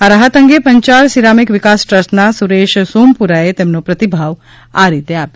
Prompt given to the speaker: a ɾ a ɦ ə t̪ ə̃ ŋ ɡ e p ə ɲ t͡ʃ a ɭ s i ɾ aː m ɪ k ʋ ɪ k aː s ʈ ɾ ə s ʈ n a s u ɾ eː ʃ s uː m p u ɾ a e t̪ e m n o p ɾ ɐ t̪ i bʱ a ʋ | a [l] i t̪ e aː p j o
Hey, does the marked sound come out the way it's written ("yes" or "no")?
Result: no